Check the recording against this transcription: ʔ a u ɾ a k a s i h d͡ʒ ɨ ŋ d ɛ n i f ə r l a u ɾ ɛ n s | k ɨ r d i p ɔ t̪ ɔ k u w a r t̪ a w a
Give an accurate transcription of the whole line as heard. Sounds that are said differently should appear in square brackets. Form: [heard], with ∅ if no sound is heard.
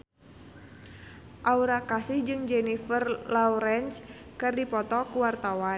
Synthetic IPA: ʔ a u ɾ a k a s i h d͡ʒ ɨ ŋ [d͡ʒ] ɛ n i f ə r l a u ɾ ɛ n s | k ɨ r d i p ɔ t̪ ɔ k u w a r t̪ a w a